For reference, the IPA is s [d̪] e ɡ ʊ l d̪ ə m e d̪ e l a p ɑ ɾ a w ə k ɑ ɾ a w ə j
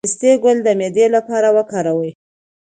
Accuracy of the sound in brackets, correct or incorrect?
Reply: incorrect